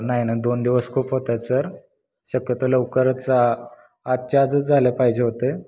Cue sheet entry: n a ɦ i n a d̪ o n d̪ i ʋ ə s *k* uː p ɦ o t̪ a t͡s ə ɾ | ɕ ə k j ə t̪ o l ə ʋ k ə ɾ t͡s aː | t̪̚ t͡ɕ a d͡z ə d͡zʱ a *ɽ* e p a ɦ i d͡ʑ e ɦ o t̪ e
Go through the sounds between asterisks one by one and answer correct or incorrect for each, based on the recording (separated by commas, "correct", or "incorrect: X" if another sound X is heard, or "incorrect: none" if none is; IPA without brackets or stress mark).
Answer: incorrect: kʰ, incorrect: l